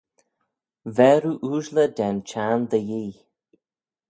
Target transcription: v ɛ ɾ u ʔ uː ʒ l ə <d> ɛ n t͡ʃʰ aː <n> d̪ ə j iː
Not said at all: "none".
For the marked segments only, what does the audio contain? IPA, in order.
d, n

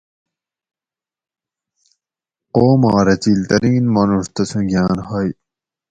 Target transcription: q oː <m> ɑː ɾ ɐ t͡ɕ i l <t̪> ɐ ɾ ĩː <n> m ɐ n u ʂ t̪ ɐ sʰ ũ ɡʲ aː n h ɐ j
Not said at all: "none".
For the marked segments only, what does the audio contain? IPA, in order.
m, t̪, n

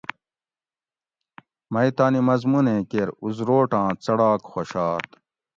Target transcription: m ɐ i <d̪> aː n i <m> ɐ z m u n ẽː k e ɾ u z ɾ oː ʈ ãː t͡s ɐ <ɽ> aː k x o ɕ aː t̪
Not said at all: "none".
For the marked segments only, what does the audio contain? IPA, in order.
t̪, m, ɽ

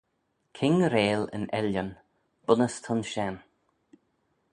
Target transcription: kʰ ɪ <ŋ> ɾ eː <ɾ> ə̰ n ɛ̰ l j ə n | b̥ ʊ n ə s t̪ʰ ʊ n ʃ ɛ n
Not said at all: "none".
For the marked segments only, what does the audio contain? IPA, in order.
ŋ, l

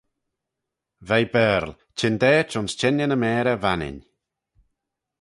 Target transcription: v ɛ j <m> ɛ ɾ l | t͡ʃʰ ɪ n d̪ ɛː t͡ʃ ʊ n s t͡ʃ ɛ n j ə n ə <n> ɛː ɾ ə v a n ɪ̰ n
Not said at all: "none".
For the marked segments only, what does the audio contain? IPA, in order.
b, m

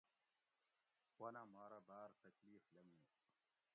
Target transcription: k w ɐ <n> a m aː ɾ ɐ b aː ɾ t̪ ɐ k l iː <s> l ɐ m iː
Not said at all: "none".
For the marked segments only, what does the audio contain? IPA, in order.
n, f

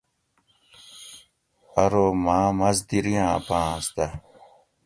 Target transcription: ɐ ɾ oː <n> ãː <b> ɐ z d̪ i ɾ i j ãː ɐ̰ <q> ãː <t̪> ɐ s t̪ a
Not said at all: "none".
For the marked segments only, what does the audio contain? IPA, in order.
m, m, p, none

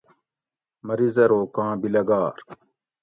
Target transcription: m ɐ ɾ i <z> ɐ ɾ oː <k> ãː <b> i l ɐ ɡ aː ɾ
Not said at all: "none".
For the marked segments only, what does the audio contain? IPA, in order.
z, k, b

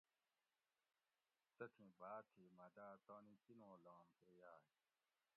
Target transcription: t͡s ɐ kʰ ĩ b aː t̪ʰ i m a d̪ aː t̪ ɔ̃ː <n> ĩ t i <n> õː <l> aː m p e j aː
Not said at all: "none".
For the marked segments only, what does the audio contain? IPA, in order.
n, n, l

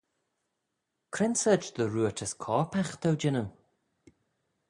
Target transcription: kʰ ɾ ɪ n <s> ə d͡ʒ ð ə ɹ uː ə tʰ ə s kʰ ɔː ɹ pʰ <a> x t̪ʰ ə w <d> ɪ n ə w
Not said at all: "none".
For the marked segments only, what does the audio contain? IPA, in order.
s, a, d͡ʒ

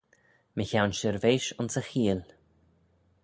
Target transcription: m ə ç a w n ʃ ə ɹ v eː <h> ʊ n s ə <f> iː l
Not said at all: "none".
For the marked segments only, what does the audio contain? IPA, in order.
ʃ, x

